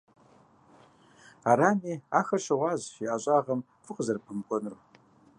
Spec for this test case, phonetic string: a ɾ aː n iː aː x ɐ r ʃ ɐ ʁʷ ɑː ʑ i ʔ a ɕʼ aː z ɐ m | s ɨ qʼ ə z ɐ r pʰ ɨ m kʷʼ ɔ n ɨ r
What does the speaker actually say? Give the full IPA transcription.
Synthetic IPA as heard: a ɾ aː n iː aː x ɐ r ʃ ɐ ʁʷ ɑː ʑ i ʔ a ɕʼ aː ʁ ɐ m | f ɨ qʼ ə z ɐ r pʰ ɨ m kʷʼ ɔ n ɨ r